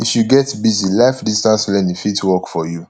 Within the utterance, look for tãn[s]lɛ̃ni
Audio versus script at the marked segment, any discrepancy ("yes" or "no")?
no